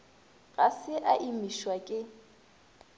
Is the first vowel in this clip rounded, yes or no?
no